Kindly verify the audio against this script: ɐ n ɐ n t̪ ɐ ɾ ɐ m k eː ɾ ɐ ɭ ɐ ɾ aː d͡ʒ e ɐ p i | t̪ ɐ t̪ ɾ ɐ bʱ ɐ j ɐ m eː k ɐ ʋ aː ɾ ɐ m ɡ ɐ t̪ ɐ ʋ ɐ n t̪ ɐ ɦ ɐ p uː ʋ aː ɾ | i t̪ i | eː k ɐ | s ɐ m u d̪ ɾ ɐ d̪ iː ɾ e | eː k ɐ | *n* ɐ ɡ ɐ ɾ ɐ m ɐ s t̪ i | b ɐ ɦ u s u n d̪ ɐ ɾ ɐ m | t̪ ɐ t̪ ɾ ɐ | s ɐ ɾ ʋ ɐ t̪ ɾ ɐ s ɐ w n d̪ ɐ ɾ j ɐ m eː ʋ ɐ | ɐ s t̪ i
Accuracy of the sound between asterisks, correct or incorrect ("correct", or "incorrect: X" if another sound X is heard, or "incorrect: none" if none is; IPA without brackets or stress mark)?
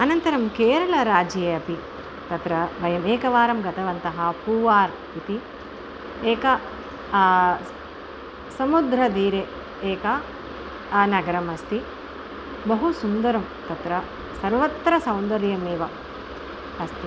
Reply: correct